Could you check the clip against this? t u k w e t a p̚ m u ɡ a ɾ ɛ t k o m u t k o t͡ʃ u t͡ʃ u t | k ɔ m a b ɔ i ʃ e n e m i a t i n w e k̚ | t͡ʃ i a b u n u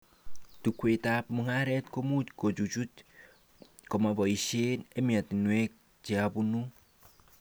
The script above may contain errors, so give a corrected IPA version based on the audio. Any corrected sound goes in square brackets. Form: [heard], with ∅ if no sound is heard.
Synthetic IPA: t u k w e t a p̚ m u [ŋ] a ɾ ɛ t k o m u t k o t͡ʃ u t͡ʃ u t | k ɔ m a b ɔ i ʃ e n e m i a t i n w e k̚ | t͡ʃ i a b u n u